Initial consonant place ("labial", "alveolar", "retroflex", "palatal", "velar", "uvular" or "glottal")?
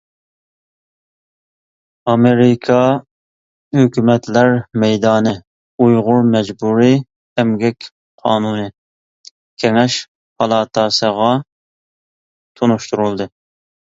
labial